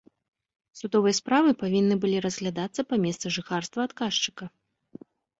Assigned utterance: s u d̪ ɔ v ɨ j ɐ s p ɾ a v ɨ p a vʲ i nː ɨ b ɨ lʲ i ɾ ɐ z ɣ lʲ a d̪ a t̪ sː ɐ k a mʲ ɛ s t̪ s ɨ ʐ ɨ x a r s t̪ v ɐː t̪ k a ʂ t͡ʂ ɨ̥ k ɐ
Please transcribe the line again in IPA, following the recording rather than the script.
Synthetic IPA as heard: s u d̪ ɔ v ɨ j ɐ s p ɾ a v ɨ p a vʲ i nː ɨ b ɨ lʲ i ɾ ɐ z ɣ lʲ a d̪ a t̪ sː ɐ p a mʲ ɛ s t̪ s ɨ ʐ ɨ x a r s t̪ v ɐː t̪ k a ʂ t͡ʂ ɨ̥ k ɐ

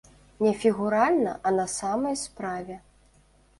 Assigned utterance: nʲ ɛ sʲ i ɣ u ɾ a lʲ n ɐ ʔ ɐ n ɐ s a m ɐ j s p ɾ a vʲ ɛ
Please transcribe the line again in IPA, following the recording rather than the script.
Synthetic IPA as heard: nʲ ɛ fʲ i ɣ u ɾ a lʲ n ɐ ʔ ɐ n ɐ s a m ɐ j s p ɾ a vʲ ɛ

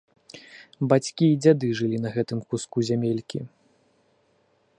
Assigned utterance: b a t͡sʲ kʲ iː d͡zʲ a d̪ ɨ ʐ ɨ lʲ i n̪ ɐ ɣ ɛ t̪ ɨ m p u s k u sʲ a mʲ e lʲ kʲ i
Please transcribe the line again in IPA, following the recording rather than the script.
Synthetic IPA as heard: b a t͡sʲ kʲ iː d͡zʲ a d̪ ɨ ʐ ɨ lʲ i n̪ ɐ ɣ ɛ t̪ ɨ m k u s k u zʲ a mʲ e lʲ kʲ i

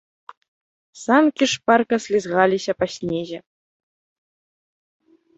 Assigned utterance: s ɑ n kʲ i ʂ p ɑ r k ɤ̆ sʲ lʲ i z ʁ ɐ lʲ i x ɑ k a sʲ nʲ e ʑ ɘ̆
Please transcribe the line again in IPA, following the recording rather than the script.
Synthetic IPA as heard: s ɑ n kʲ i ʂ p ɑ r k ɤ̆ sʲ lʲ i z ʁ ɑ lʲ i ɕ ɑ p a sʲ nʲ e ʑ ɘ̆

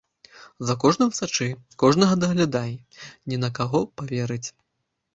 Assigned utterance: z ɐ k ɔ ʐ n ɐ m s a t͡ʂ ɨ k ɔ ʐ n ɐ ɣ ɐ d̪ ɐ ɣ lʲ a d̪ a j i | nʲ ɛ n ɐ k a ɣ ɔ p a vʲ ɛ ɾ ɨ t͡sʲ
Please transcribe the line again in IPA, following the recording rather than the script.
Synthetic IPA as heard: z ɐ k ɔ ʐ n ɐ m s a t͡ʂ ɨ k ɔ ʐ n ɐ ɣ ɐ d̪ ɐ ɣ lʲ a d̪ a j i | nʲ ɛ n ɐ k a ɣ ɔ p a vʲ ɛ ɾ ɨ t͡sʲ

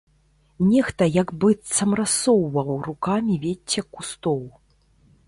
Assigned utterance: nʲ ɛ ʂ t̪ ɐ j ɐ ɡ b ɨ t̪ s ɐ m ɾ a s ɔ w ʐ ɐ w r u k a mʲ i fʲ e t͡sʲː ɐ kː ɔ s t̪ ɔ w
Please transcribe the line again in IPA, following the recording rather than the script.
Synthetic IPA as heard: nʲ ɛ x t̪ ɐ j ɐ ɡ b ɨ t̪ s ɐ m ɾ a s ɔ w v ɐ w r u k a mʲ i vʲ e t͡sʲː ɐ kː u s t̪ ɔ w

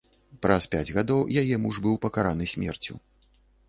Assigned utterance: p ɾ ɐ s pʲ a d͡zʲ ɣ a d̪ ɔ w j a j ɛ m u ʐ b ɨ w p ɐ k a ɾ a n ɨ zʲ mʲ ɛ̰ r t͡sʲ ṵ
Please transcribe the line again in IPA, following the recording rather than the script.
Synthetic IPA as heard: p ɾ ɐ s pʲ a d͡zʲ ɣ a d̪ ɔ w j a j ɛ m u ʐ b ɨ w p ɐ k a ɾ a n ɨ sʲ mʲ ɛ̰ r t͡sʲ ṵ

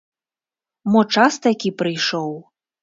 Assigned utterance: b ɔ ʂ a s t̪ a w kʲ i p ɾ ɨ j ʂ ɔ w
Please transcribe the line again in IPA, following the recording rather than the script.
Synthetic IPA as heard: m ɔ t͡ʂ a s t̪ a kʲ i p ɾ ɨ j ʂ ɔ w

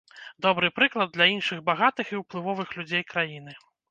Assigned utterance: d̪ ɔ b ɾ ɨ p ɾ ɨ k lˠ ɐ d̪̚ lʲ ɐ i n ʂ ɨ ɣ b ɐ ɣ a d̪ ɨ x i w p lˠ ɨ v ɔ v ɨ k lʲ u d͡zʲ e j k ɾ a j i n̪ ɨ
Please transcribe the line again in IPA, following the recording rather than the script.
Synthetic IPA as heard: d̪ ɔ b ɾ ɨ p ɾ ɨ k lˠ ɐ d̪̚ lʲ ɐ i n ʂ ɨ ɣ b a ɣ a t̪ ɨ x i w p lˠ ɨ v ɔ v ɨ x lʲ u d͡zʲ e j k ɾ a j i n̪ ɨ

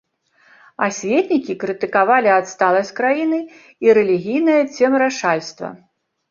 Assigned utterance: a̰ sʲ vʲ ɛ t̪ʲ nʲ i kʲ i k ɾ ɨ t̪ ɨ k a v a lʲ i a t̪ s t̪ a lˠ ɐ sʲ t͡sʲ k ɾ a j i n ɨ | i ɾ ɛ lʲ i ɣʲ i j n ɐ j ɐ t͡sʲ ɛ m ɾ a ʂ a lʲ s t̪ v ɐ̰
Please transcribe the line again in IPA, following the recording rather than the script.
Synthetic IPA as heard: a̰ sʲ vʲ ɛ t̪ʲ nʲ i kʲ i k ɾ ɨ t̪ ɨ k a v a lʲ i a t̪ s t̪ a lˠ ɐ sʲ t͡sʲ k ɾ a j i n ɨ | i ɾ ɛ lʲ i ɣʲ i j n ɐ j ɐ t͡sʲ ɛ m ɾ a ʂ a lʲ s t̪ v ɐ̰

